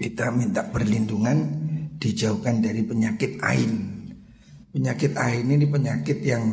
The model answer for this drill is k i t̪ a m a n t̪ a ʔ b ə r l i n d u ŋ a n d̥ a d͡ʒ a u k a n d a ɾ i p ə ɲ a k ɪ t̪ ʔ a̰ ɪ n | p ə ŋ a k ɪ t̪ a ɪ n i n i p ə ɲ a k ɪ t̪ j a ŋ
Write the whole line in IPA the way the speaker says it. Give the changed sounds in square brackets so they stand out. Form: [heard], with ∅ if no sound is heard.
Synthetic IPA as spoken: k i t̪ a m [i] n t̪ a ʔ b ə r l i n d u ŋ a n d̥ [i] d͡ʒ a u k a n d a ɾ i p ə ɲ a k ɪ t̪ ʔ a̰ ɪ n | p ə [ɲ] a k ɪ t̪ a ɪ n i n i p ə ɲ a k ɪ t̪ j a ŋ